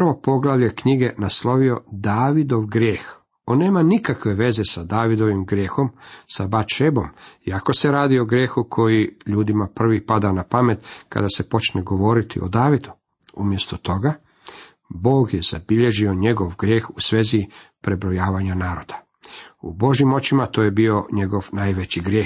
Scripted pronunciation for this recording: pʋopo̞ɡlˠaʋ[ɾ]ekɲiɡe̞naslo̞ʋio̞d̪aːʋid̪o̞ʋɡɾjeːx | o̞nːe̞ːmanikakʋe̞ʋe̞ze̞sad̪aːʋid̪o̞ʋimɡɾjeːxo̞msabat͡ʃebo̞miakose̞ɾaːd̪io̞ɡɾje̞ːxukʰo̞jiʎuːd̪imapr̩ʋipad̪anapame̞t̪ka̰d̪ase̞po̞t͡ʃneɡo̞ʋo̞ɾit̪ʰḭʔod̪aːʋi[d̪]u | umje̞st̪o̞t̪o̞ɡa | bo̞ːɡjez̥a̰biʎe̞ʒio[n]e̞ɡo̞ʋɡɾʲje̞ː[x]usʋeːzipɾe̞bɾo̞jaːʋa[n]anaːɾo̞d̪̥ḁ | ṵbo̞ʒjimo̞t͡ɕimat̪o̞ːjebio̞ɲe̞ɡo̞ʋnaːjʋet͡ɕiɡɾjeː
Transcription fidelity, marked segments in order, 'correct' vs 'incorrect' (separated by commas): incorrect, correct, incorrect, correct, incorrect